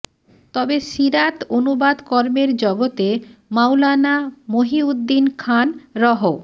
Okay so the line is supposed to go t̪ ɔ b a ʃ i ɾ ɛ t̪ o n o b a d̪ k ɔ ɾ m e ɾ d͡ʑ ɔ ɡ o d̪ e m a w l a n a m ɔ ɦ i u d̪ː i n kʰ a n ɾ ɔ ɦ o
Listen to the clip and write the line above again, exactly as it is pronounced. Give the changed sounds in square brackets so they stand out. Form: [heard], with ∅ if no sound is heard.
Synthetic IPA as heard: t̪ ɔ b [e] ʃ i ɾ [a] t̪ o n [u] b a d̪ k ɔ ɾ m e ɾ d͡ʑ ɔ ɡ o [t̪] e m a w l a n a m [o] ɦ i u d̪ː i n kʰ a n ɾ ɔ ɦ o